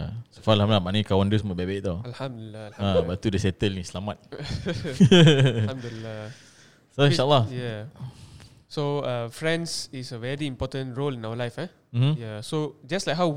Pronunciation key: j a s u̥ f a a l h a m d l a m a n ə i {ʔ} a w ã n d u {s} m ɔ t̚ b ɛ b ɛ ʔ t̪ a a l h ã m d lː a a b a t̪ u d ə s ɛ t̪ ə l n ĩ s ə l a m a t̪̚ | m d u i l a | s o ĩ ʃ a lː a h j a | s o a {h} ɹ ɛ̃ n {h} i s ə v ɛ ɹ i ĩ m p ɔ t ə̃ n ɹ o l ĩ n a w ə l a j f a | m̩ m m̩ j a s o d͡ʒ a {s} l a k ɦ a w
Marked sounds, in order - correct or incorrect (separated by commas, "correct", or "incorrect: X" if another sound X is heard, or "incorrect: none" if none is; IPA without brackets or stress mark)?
incorrect: k, correct, incorrect: f, incorrect: s, correct